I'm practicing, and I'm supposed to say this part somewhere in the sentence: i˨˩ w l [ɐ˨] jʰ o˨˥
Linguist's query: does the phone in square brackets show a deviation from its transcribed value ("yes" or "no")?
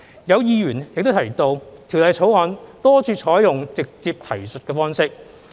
no